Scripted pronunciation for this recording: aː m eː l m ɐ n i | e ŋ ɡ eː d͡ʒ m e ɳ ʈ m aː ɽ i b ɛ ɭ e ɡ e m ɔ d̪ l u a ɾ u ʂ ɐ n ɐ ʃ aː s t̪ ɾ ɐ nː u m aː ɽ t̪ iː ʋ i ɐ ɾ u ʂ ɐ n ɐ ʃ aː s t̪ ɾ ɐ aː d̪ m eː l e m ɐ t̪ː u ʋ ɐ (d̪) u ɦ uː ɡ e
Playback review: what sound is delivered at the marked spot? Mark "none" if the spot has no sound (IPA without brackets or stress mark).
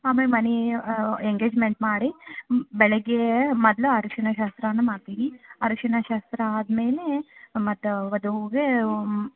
d̪